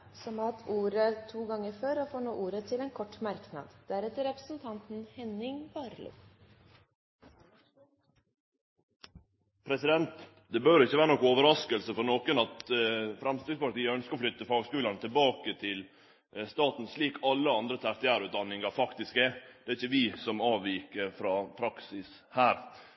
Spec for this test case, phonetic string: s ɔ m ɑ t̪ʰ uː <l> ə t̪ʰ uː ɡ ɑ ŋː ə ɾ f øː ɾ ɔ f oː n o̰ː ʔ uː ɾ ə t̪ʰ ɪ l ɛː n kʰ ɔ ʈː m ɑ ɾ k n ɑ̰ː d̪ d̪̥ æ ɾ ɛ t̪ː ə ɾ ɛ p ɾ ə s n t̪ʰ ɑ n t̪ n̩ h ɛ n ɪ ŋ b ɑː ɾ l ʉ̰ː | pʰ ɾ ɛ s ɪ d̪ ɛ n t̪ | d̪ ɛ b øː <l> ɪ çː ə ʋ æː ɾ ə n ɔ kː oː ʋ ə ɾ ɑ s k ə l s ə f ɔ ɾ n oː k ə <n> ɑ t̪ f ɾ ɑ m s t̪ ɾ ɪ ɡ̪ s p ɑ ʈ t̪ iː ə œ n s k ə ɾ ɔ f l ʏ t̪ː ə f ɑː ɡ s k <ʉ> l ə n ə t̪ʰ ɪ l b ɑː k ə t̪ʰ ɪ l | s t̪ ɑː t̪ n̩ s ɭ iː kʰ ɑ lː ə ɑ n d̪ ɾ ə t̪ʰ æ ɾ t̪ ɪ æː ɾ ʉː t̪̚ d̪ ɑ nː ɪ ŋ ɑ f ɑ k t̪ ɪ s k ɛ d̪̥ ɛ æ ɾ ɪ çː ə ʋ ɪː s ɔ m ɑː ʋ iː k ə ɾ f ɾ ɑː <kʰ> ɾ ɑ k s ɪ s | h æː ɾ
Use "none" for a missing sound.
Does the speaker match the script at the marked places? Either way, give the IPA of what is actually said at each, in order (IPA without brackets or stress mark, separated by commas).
ɾ, ɾ, n, ʉː, pʰ